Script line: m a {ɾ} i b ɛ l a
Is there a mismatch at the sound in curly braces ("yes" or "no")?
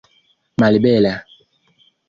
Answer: yes